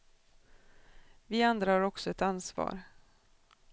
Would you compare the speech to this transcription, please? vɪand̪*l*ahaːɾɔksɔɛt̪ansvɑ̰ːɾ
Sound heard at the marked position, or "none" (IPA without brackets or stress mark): ɾ